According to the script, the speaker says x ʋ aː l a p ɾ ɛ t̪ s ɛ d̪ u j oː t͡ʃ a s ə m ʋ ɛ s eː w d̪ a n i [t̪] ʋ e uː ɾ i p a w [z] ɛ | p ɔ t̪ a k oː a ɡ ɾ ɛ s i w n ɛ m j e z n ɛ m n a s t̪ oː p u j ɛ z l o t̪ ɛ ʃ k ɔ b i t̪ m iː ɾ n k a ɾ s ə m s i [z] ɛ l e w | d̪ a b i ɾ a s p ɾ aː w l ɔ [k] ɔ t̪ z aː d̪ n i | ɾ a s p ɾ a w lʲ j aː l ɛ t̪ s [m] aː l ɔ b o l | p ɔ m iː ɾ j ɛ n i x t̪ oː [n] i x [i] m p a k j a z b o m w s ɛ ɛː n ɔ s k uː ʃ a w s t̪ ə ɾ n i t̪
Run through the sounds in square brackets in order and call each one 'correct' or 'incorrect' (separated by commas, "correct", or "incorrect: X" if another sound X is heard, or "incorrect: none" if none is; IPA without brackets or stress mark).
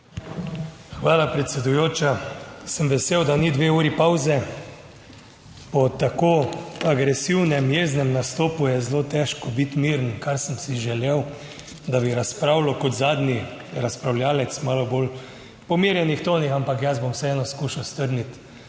incorrect: d̪, correct, incorrect: ʒ, correct, correct, correct, incorrect: a